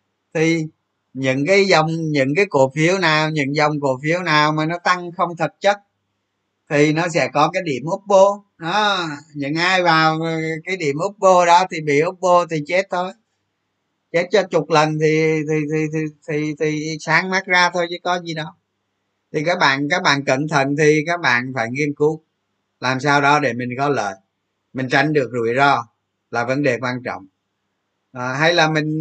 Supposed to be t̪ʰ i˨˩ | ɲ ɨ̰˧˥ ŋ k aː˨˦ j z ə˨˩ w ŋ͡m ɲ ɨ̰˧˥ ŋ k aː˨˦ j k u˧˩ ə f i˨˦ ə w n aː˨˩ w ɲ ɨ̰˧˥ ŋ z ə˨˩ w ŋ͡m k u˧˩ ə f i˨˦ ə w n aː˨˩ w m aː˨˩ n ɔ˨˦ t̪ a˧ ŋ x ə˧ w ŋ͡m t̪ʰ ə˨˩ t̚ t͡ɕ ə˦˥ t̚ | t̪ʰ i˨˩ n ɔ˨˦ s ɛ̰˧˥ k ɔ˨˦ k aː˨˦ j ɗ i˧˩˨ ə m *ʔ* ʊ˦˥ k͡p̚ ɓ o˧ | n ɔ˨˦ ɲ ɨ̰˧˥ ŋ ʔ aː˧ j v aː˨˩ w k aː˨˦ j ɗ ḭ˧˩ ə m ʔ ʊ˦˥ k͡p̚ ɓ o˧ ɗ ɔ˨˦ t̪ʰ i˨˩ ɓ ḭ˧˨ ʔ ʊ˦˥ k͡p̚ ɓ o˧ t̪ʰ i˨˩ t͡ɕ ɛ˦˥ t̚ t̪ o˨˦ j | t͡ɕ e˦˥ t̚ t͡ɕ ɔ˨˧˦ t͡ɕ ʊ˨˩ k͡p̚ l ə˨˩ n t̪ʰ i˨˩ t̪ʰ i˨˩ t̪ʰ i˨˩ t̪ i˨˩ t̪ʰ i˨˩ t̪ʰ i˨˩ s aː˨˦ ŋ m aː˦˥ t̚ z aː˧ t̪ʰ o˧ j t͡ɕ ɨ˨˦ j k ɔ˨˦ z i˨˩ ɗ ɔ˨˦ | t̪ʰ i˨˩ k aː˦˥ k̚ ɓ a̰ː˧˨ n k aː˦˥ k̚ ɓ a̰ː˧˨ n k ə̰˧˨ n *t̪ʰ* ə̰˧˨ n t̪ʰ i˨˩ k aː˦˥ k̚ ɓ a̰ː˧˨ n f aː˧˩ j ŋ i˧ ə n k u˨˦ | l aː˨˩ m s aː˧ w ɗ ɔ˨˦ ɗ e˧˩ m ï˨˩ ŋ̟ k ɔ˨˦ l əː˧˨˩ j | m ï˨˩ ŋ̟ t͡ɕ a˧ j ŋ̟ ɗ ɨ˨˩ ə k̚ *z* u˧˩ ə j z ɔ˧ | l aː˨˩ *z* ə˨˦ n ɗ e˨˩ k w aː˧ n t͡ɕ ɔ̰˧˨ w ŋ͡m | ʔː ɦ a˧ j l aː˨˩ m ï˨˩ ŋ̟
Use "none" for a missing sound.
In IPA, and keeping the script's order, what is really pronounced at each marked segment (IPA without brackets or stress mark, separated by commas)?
ʔ, t̪ʰ, z, v